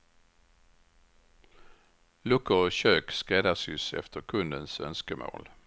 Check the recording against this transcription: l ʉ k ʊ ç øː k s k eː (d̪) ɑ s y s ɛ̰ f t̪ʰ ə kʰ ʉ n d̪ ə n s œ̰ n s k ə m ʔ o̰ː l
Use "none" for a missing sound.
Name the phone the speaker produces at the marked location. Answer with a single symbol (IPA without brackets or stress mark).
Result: d̪